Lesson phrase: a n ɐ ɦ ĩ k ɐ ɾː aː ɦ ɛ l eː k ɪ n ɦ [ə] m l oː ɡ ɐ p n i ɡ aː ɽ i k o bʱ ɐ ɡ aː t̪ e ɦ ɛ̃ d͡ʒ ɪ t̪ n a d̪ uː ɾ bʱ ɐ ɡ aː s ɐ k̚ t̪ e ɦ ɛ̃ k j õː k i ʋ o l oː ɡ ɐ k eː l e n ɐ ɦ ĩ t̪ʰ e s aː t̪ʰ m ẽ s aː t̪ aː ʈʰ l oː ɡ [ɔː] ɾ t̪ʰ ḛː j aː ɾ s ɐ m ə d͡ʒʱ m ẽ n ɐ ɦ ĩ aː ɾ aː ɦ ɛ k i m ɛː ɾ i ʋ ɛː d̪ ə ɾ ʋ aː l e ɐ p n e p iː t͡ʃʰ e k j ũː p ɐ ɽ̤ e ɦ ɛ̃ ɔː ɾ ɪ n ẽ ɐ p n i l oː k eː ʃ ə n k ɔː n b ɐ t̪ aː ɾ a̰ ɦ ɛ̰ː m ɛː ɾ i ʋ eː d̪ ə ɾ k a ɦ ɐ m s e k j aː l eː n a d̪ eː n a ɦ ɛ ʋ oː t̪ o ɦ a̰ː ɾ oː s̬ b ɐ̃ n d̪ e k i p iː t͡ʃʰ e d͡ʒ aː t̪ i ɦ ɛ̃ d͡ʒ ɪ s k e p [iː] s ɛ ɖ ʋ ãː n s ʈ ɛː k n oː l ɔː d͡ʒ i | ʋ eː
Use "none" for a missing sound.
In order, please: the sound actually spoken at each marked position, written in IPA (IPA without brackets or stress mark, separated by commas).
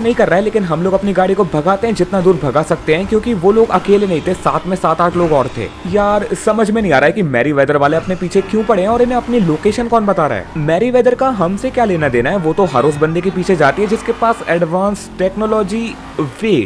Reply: ɐ, ɔː, aː